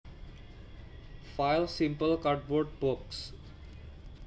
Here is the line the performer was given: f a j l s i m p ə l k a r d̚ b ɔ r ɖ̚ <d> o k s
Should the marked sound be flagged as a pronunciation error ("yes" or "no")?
yes